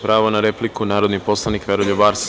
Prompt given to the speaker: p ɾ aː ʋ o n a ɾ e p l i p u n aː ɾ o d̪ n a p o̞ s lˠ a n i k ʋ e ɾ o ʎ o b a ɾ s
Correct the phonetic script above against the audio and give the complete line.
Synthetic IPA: p ɾ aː ʋ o n a ɾ e p l i k u n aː ɾ o d̪ n i p o̞ s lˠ a n i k ʋ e ɾ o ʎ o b a ɾ s

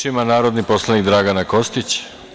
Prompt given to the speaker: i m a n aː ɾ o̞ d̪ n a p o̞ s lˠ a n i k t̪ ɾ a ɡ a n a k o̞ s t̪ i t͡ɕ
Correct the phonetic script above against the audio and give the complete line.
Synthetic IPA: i m a n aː ɾ o̞ d̪ n i p o̞ s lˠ a n i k d̪ ɾ a ɡ a n a k o̞ s t̪ i t͡ɕ

